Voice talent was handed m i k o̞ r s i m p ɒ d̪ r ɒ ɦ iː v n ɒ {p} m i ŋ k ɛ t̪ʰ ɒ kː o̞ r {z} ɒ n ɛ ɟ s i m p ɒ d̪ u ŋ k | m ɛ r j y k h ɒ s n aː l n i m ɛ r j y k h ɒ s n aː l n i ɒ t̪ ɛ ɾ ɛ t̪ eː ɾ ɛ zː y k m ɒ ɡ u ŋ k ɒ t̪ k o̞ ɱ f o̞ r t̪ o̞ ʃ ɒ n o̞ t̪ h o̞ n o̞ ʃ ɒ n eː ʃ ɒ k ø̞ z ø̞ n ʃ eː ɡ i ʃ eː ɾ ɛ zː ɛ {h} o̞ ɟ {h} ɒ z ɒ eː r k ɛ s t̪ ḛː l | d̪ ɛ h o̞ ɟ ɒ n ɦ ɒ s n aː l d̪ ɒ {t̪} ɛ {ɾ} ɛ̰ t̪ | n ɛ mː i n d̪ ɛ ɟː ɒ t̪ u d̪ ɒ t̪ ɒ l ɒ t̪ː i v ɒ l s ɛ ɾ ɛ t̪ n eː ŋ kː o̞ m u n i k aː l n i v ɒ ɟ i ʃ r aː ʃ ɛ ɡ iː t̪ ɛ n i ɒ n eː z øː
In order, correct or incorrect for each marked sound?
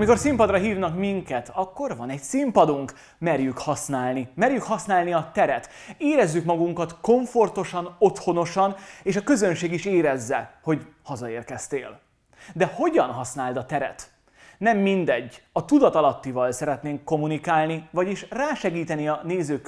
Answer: incorrect, incorrect, correct, correct, correct, correct

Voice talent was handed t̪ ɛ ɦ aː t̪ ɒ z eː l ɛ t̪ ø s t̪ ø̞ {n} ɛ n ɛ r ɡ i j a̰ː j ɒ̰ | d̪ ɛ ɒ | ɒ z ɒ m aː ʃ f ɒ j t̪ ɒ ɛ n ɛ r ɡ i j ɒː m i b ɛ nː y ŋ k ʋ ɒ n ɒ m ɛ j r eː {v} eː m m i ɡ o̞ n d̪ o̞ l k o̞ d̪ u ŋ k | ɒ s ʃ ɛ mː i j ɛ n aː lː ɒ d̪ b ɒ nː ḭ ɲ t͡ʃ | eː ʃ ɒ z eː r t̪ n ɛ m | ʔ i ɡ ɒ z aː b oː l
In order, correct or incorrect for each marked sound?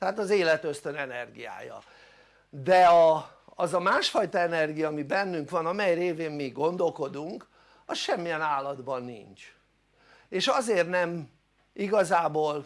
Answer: correct, correct

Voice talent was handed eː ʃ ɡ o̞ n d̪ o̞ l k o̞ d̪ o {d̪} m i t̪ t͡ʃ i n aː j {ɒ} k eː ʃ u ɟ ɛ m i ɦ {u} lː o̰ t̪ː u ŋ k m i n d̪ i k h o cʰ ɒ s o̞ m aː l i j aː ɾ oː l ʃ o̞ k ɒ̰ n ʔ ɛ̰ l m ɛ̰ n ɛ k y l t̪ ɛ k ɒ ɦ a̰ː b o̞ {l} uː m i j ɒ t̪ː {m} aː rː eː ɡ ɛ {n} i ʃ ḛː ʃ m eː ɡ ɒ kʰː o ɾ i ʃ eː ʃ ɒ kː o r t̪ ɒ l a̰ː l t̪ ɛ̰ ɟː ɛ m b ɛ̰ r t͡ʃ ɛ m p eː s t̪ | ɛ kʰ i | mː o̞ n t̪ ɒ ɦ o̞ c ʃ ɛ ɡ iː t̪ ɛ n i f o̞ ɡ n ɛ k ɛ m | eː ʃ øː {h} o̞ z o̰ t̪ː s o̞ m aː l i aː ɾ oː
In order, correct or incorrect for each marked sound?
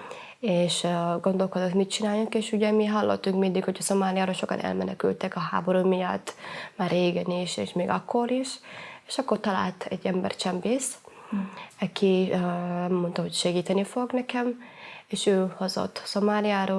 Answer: incorrect, incorrect, incorrect, incorrect, correct, correct, correct

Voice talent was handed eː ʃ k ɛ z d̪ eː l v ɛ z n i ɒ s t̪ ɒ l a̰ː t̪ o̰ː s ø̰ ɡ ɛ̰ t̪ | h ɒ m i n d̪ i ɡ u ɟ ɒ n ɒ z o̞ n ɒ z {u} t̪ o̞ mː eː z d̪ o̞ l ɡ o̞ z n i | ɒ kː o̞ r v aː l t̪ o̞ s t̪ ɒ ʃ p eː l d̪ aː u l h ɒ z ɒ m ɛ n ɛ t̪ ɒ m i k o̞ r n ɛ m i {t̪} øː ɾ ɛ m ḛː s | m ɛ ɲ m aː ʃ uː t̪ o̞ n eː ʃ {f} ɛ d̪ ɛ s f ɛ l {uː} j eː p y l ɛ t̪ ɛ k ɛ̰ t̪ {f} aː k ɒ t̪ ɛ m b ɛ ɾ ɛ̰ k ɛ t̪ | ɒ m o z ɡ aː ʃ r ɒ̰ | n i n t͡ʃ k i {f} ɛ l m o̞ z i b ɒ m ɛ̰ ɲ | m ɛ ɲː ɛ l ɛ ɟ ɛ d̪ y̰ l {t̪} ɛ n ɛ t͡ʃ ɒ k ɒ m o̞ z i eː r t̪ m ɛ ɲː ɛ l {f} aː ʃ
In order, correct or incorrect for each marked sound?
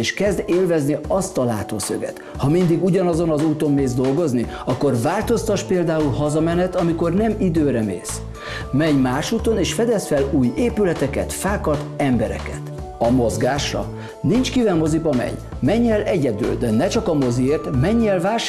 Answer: incorrect, incorrect, correct, correct, correct, incorrect, incorrect, incorrect

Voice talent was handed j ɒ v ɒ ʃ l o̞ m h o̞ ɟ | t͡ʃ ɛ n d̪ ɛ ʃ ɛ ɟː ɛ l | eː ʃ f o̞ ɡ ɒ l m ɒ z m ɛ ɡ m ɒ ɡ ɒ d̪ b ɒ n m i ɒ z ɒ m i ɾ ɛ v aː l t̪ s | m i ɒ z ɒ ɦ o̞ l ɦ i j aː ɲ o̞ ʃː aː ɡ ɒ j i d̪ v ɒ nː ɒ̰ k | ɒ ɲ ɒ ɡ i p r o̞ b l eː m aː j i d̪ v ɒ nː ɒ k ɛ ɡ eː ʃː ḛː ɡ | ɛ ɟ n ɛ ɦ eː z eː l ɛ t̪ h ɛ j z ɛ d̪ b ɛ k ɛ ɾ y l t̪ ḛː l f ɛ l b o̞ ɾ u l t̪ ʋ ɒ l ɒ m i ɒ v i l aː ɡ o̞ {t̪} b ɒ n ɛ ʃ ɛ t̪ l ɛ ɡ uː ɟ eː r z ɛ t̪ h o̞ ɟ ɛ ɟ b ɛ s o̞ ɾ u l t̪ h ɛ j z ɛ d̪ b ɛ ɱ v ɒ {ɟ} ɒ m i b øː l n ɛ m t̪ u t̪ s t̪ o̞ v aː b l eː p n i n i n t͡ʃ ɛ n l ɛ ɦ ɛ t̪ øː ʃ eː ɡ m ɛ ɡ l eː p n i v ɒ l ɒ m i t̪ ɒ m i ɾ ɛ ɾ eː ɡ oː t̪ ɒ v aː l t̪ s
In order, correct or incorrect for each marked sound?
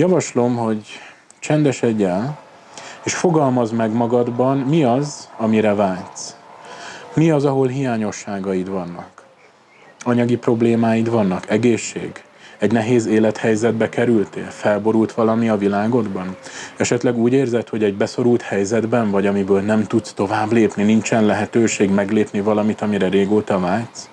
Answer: incorrect, correct

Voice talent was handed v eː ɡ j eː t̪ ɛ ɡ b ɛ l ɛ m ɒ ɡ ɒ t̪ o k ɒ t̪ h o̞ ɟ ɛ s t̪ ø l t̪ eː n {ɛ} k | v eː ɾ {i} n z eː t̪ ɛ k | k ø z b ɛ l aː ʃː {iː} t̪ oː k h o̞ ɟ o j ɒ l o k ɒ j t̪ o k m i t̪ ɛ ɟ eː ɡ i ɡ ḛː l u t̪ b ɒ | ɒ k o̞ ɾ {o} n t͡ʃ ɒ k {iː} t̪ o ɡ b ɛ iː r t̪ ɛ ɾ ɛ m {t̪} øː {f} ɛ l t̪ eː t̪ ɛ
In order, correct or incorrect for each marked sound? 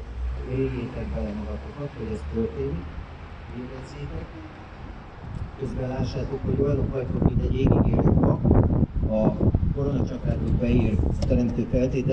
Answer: incorrect, incorrect, incorrect, correct, incorrect, correct, correct

